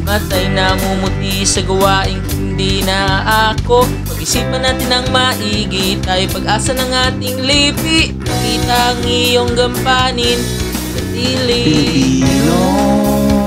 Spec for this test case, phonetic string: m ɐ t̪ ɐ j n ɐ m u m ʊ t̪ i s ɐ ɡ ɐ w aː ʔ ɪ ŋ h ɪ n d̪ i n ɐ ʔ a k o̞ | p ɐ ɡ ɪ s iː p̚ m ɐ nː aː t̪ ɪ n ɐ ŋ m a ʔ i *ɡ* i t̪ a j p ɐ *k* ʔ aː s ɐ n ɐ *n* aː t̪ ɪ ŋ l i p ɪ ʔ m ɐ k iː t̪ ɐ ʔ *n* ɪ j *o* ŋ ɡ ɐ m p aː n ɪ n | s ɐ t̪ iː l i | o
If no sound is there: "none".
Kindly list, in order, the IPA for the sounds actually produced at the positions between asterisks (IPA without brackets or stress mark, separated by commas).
ɡ, ɡ, ŋ, ŋ, o